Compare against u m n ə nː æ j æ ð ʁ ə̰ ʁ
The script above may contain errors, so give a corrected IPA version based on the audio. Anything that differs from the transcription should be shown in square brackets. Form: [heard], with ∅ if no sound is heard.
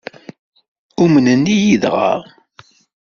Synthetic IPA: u m n ə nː [i] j [i] ð ʁ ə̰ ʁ